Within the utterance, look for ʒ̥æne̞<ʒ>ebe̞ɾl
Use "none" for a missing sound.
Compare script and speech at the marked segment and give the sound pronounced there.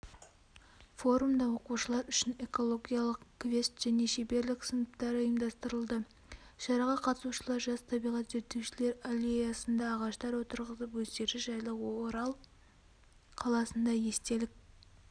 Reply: ʃ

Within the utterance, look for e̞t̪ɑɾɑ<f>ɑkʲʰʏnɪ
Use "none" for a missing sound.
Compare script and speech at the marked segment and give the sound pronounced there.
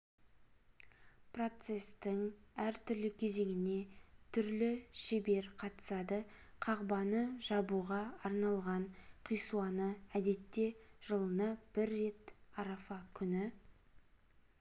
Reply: f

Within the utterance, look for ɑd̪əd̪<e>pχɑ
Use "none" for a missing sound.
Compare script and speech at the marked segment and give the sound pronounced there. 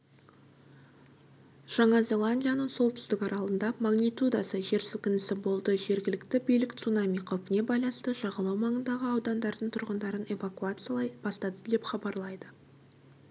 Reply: e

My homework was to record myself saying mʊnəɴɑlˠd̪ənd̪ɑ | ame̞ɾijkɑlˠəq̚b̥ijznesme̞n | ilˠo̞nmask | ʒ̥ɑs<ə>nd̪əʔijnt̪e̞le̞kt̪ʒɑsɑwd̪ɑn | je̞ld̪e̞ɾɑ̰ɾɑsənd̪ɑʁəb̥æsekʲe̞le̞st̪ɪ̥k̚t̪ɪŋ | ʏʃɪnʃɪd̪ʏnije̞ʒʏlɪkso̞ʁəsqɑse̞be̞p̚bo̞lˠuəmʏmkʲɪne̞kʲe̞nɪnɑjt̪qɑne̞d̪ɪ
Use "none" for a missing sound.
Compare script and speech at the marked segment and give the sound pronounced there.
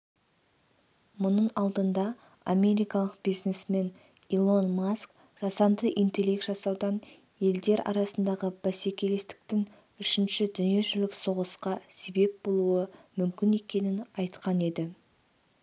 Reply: ɑ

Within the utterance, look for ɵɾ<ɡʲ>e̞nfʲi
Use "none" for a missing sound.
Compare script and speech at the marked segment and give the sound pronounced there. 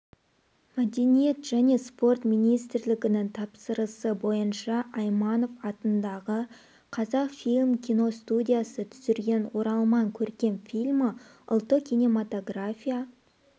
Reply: kʲ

